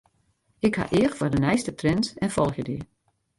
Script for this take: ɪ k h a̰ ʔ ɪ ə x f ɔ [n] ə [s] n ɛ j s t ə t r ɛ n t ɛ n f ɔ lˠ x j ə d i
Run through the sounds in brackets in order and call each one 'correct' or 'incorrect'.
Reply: incorrect: d, incorrect: none

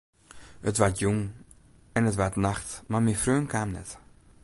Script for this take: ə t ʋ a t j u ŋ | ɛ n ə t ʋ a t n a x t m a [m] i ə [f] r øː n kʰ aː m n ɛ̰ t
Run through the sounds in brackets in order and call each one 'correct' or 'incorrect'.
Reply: correct, correct

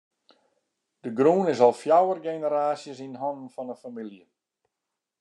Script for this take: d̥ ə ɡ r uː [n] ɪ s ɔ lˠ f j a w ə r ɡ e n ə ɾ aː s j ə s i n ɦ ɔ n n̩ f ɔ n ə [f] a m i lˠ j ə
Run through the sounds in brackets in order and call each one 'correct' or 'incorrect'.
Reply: correct, correct

